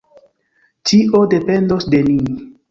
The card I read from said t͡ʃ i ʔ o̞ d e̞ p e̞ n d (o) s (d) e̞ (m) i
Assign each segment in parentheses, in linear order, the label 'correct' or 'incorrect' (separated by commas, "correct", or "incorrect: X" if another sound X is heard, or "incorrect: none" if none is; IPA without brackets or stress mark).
correct, correct, incorrect: n